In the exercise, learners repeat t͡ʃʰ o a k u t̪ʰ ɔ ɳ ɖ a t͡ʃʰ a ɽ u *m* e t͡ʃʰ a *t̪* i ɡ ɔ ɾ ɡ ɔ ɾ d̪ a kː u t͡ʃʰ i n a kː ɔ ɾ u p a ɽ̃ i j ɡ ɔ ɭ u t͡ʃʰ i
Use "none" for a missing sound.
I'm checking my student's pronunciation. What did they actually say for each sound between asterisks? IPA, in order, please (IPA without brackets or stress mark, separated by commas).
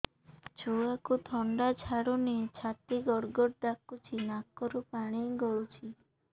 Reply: n, t̪